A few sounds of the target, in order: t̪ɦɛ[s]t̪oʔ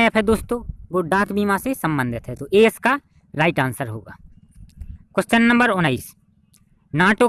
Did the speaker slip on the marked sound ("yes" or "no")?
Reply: yes